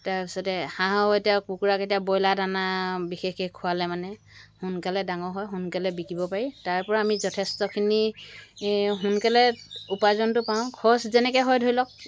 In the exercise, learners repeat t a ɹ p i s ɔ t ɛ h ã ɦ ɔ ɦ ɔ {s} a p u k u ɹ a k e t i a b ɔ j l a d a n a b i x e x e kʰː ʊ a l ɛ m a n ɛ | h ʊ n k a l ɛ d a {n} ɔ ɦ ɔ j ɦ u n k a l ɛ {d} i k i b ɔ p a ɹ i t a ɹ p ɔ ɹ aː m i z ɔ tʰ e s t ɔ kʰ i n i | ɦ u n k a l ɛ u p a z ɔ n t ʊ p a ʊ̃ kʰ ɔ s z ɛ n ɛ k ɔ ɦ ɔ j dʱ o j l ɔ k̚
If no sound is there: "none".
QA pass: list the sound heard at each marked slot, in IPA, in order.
t, ŋ, b

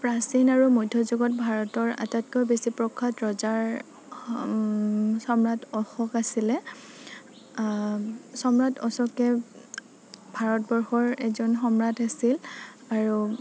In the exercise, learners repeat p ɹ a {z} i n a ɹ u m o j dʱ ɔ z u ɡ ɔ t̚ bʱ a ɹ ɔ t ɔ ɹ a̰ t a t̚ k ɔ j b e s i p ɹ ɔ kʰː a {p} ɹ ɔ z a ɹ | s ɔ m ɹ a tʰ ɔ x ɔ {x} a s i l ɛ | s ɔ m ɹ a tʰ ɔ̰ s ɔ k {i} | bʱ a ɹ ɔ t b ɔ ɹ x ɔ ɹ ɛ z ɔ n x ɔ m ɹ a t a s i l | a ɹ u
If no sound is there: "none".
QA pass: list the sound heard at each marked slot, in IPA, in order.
s, t, k, ɛ

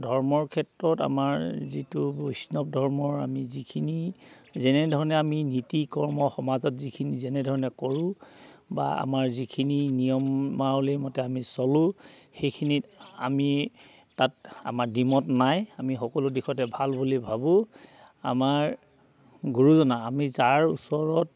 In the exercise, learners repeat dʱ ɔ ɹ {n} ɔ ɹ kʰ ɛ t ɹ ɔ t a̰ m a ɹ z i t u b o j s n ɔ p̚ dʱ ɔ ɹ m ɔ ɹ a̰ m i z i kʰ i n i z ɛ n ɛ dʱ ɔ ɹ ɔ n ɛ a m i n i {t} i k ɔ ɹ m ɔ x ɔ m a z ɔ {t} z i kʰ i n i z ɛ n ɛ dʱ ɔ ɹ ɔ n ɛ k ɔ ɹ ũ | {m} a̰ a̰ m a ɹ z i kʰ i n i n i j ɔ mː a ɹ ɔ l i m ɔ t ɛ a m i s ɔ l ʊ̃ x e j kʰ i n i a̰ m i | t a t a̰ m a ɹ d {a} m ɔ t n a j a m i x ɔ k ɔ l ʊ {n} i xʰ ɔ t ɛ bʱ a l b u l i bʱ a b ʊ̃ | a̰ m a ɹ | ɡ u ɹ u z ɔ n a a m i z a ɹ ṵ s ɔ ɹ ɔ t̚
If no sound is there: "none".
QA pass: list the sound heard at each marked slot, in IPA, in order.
m, t, t, b, i, d

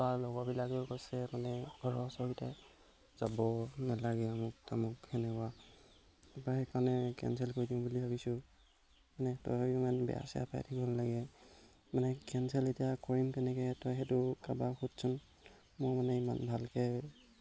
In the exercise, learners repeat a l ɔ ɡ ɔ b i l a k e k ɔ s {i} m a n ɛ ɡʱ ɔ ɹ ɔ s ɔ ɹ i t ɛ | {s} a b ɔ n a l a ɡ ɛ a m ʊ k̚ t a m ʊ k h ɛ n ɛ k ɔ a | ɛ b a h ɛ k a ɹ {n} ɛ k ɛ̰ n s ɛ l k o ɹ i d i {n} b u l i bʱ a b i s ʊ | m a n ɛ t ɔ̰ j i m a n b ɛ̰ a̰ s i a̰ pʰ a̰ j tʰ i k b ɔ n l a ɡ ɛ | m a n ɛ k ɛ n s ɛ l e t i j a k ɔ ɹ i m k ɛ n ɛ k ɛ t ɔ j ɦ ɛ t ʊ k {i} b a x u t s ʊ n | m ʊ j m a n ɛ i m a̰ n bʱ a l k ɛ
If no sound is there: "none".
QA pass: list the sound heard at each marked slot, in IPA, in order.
ɛ, z, n, m, a

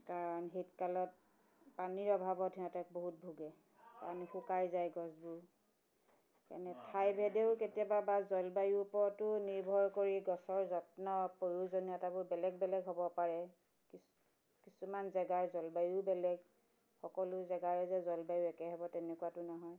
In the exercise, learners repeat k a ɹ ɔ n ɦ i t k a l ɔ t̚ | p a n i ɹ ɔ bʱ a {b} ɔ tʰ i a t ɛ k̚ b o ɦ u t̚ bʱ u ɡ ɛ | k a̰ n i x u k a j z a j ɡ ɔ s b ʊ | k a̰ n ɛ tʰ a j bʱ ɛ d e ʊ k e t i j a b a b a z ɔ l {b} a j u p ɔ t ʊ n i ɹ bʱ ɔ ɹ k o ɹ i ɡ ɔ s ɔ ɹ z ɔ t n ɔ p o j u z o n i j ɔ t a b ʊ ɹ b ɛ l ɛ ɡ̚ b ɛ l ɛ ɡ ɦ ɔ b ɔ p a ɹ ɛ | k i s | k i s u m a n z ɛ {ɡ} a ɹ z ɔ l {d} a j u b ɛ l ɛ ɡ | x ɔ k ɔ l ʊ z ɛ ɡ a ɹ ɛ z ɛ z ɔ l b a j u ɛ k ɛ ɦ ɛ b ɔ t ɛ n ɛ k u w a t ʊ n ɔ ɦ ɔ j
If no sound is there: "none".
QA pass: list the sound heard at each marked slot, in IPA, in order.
b, b, ɡ, b

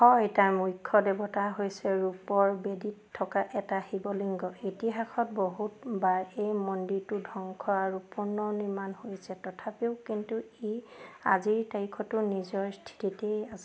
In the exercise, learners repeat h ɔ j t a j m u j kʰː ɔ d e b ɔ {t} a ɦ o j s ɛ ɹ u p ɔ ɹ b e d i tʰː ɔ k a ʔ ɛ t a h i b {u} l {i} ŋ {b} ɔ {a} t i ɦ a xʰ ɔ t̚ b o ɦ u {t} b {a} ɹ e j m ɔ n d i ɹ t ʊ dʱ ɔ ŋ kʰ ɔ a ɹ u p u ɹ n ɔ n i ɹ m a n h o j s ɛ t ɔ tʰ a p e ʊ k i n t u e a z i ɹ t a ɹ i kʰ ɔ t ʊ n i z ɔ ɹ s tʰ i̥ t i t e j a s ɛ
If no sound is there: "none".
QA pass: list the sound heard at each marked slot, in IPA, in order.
t, ɔ, i, ɡ, i, t, a

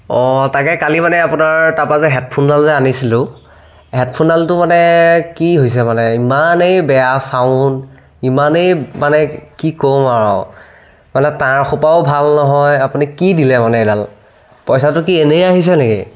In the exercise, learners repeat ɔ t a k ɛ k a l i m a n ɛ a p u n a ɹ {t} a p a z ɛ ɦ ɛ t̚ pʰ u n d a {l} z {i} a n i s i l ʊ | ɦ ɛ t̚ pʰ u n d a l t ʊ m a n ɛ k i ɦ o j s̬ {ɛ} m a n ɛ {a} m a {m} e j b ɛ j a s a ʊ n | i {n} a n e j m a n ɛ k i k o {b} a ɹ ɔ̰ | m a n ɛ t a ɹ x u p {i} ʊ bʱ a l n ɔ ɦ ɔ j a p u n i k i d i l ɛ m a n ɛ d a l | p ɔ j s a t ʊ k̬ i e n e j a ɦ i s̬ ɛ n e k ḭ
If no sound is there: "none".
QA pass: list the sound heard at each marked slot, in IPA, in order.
t, l, ɛ, ɛ, i, n, m, m, a

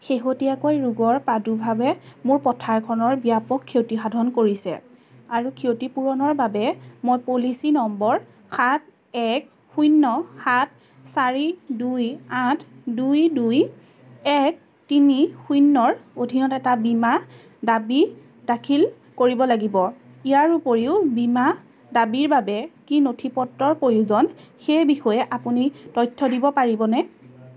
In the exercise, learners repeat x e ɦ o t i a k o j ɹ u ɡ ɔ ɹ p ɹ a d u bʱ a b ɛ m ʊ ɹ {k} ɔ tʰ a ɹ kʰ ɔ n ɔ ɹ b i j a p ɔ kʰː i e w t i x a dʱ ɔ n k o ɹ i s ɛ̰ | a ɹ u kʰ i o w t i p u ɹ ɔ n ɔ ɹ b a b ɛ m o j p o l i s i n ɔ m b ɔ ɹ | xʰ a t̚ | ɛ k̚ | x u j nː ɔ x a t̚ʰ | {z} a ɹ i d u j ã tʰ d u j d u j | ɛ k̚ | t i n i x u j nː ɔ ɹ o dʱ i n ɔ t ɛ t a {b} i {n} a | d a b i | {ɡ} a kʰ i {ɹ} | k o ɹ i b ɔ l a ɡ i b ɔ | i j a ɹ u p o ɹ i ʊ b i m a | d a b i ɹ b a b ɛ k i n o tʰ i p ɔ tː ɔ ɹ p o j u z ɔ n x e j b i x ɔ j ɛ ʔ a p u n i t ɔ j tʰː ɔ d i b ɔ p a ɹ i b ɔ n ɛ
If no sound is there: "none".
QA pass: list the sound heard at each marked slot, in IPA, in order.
p, s, b, m, d, l

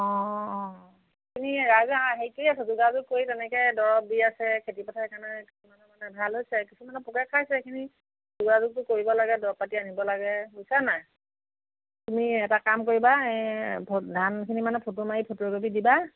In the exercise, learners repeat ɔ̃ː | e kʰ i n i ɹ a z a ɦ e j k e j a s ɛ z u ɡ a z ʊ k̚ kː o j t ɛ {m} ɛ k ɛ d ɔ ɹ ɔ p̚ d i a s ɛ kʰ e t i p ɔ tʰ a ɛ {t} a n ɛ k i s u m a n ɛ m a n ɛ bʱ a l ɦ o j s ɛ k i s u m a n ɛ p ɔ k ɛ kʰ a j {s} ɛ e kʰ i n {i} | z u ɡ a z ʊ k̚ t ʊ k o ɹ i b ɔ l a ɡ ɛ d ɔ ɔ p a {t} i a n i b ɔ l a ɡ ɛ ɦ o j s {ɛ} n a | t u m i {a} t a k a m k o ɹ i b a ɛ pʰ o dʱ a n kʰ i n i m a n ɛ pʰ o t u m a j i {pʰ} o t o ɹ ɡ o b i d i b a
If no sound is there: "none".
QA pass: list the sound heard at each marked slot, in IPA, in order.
n, k, s, i, t, a, ɛ, pʰ

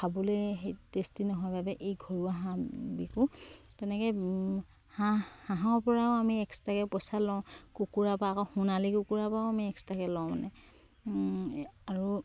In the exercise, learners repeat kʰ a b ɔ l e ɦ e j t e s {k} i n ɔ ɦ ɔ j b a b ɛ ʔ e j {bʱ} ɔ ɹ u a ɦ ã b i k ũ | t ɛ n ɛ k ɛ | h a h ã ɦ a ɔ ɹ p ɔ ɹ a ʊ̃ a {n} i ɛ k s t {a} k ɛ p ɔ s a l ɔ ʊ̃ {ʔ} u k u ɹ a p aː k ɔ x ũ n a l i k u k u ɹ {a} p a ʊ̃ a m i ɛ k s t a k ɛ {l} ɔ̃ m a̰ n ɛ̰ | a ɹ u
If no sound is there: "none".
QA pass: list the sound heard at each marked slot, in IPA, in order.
t, ɡʱ, m, a, k, a, l

